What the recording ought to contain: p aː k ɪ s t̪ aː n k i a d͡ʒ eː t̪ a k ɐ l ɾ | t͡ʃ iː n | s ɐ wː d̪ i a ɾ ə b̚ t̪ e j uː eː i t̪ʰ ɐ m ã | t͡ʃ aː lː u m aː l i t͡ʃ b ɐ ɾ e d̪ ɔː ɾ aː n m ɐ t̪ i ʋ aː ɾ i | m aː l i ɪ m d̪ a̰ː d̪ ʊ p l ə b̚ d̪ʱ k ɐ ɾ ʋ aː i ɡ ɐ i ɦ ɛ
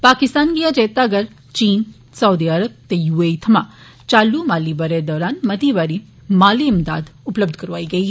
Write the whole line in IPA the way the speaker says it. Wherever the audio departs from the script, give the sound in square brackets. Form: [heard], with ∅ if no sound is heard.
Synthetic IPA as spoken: p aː k ɪ s t̪ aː n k i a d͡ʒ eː t̪ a [ɡ] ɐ [∅] ɾ | t͡ʃ iː n | s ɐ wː d̪ i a ɾ ə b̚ t̪ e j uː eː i t̪ʰ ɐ m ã | t͡ʃ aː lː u m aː l i [∅] b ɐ ɾ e d̪ ɔː ɾ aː n m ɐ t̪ i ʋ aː ɾ i | m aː l i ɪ m d̪ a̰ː d̪ ʊ p l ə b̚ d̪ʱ k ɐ ɾ ʋ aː i ɡ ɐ i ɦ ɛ